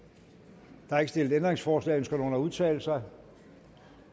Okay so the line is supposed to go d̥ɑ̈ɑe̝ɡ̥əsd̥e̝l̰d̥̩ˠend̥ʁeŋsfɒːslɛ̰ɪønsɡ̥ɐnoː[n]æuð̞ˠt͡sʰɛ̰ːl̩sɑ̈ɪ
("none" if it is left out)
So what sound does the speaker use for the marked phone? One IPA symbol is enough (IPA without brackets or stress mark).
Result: n